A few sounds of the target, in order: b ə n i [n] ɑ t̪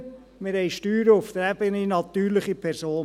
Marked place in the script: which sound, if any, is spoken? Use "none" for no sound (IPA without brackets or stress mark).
n